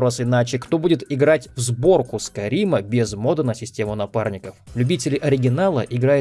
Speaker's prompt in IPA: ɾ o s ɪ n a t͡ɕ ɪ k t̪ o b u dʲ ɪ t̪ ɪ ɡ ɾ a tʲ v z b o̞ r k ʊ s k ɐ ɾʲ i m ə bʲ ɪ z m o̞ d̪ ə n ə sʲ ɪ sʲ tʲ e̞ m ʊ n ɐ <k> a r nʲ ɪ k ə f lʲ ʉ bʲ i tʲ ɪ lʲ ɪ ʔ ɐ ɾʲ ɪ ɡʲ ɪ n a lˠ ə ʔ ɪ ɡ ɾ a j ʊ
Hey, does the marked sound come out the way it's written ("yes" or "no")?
no